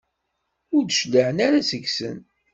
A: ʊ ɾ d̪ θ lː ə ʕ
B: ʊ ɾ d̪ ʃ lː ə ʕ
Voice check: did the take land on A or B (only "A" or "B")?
B